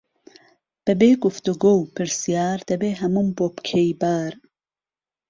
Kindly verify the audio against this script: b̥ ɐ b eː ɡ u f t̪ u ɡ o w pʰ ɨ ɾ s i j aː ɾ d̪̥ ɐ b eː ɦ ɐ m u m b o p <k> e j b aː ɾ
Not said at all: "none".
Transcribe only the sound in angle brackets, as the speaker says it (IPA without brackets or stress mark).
kʰ